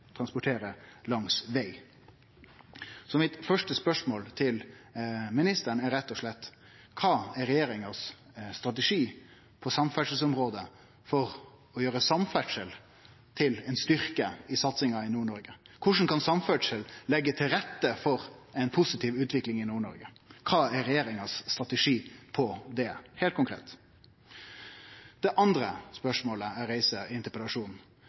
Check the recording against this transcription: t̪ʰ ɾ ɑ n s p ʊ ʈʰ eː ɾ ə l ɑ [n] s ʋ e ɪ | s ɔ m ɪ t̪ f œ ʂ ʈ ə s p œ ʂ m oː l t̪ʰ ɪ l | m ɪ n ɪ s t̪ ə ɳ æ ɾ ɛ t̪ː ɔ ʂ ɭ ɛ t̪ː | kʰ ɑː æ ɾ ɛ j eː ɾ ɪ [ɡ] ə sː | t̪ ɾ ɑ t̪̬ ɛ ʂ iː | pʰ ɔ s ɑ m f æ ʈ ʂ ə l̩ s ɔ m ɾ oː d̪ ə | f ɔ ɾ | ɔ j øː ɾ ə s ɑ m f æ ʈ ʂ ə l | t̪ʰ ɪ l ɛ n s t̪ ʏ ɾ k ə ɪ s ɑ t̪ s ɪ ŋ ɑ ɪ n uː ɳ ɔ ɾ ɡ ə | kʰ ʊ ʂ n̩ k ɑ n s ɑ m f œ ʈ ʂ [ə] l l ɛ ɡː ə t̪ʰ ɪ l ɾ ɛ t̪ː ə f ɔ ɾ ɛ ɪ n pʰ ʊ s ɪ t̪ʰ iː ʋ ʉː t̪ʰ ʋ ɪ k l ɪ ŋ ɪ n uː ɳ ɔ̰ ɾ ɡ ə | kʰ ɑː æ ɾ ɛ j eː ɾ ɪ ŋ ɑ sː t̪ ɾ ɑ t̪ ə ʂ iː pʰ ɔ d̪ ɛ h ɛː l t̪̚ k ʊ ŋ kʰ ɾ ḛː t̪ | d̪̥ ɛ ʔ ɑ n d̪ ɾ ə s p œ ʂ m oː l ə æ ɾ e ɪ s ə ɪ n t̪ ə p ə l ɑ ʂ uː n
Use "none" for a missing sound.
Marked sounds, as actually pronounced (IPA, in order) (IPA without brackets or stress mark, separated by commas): ŋ, ŋ, ə